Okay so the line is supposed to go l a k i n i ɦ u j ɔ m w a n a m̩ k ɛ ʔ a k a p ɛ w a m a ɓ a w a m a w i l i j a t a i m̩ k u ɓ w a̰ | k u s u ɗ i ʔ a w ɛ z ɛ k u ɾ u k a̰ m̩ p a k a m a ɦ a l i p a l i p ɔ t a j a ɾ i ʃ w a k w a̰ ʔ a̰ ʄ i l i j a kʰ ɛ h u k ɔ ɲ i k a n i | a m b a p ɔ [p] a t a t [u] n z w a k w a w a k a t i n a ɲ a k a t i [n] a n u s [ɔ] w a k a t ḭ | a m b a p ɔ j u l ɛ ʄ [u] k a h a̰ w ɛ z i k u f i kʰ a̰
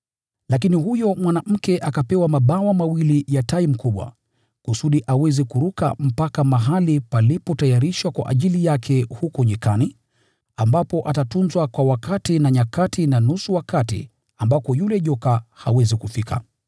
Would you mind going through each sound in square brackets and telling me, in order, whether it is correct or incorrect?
incorrect, correct, correct, incorrect, incorrect

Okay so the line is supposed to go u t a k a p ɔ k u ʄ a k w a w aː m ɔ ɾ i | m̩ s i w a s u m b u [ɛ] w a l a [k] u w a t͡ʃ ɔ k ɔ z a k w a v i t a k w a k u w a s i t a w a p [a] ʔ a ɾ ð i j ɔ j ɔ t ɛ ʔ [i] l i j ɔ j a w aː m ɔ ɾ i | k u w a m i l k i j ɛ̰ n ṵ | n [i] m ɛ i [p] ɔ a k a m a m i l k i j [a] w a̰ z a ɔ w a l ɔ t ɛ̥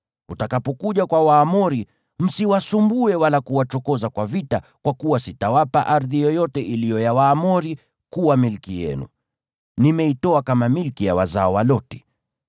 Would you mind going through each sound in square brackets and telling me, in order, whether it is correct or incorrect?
correct, correct, correct, correct, correct, incorrect, correct

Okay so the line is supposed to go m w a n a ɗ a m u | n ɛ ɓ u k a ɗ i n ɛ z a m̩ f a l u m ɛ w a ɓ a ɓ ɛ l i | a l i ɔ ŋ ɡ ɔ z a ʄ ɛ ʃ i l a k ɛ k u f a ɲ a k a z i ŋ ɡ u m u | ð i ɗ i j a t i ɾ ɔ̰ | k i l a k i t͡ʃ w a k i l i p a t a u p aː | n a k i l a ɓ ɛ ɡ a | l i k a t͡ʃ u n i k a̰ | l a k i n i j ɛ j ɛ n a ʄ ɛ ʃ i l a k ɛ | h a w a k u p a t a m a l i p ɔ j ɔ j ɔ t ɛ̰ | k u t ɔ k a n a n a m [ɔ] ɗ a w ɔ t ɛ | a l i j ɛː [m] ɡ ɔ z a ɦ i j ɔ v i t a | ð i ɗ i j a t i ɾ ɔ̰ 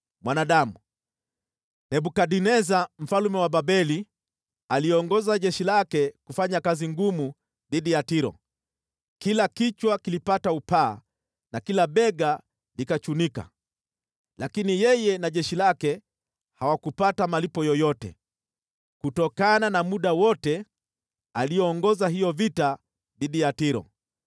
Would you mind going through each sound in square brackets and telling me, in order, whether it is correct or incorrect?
incorrect, incorrect

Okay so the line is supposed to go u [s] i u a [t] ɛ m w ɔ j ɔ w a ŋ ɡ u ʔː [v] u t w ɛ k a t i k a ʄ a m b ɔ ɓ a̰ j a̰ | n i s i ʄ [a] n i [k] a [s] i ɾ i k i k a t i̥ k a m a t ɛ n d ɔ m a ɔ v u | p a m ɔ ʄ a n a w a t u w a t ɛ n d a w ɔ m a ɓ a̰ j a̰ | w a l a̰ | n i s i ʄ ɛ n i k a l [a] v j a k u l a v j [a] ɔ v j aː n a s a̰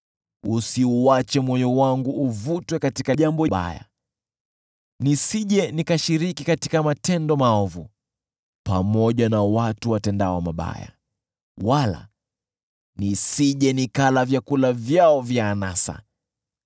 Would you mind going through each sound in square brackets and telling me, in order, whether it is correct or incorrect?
correct, incorrect, correct, incorrect, correct, incorrect, correct, correct

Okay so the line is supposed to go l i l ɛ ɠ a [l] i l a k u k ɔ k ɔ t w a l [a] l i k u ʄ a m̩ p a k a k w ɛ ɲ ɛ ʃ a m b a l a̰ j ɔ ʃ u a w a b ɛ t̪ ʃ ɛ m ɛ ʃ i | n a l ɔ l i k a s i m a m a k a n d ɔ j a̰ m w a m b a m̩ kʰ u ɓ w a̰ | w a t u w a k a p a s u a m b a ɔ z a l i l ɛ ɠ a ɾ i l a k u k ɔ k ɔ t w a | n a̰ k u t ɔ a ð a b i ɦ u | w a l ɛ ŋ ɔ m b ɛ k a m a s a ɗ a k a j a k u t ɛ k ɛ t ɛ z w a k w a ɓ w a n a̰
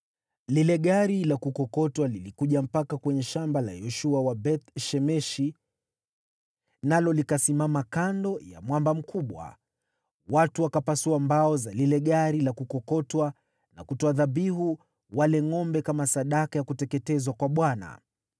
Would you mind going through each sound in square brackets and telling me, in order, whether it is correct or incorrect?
incorrect, incorrect

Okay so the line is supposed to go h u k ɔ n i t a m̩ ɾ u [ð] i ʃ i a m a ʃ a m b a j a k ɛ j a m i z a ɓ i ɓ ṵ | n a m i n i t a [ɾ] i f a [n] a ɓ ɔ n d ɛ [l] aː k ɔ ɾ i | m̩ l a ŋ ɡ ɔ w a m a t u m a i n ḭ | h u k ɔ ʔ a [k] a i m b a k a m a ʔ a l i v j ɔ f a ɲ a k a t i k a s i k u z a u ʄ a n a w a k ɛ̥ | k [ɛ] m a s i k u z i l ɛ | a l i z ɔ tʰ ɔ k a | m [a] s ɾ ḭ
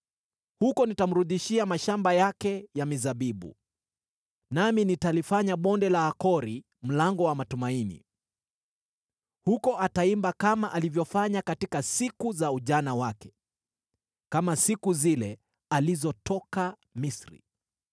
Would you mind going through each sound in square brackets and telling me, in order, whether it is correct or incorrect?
correct, incorrect, incorrect, correct, incorrect, incorrect, incorrect

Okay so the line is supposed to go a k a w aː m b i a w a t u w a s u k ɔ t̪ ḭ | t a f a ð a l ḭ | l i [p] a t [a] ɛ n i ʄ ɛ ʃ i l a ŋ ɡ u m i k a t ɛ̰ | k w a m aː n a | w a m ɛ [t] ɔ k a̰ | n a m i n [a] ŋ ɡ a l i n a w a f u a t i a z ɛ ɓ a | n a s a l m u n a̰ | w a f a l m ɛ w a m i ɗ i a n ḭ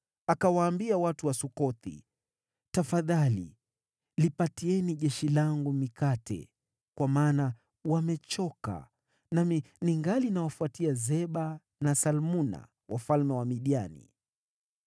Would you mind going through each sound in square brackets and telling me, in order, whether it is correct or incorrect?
correct, incorrect, incorrect, incorrect

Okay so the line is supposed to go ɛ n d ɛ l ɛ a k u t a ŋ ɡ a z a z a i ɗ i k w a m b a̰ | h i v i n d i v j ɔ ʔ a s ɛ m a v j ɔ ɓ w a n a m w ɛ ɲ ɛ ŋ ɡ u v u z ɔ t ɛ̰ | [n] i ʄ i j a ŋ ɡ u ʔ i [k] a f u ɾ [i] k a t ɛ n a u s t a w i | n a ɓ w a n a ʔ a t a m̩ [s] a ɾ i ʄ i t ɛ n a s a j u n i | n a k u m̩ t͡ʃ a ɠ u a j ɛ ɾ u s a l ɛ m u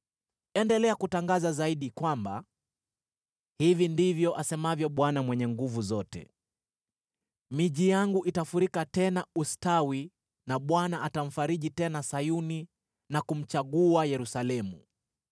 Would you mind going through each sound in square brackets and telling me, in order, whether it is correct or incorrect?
incorrect, incorrect, correct, incorrect

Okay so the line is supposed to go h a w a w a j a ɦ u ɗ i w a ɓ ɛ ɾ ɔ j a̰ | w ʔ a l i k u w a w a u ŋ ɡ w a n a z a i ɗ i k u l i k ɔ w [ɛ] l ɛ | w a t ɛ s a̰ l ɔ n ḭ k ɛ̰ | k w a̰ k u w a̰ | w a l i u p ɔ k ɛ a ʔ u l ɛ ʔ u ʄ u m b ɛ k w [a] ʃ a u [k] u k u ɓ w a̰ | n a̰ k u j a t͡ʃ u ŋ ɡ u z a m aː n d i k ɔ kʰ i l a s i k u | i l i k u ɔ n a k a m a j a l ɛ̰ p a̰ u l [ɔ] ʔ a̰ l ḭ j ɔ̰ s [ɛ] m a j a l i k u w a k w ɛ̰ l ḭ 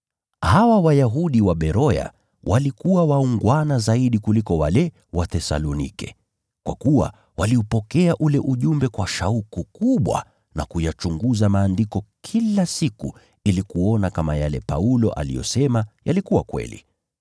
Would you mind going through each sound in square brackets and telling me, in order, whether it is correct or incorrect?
incorrect, correct, correct, correct, correct

